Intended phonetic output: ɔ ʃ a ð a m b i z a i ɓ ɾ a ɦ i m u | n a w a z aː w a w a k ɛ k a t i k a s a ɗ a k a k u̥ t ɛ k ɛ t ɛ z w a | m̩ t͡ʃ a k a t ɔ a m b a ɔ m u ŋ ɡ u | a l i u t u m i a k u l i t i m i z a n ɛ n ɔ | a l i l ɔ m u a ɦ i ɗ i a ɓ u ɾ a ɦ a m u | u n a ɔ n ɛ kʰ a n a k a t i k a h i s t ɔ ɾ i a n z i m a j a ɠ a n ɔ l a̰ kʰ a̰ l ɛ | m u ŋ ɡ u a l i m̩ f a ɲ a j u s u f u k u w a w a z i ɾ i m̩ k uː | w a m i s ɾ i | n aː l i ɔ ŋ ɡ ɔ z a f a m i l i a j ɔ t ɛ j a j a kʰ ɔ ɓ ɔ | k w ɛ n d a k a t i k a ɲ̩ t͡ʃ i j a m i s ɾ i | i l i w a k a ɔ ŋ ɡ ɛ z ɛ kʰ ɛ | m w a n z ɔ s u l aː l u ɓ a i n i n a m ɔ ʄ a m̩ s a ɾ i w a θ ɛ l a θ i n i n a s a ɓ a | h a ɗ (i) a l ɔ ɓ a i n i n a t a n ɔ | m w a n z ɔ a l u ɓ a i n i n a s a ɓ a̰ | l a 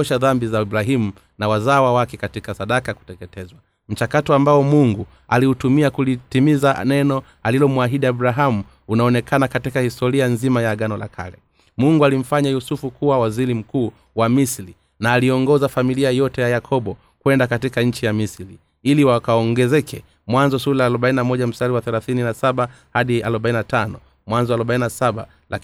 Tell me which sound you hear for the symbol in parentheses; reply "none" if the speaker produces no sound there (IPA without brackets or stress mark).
i